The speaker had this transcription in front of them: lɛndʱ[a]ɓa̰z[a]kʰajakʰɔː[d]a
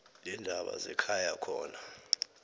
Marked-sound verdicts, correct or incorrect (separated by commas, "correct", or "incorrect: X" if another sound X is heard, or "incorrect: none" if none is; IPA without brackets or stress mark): correct, incorrect: ɛ, incorrect: n